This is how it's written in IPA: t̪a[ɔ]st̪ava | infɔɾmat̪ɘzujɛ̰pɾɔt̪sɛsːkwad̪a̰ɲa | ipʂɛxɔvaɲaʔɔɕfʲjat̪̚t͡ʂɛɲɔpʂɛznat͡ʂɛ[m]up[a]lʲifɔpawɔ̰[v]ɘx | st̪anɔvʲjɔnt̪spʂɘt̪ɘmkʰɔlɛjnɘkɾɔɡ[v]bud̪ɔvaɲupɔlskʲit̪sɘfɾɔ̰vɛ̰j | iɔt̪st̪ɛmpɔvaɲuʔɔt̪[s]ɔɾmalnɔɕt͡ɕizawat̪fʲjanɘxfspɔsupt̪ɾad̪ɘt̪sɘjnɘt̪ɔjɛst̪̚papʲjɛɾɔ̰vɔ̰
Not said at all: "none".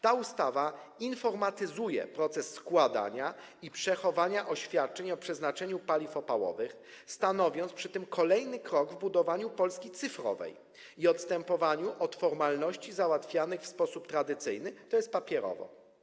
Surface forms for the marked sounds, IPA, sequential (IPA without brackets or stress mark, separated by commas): u, ɲ, a, v, v, f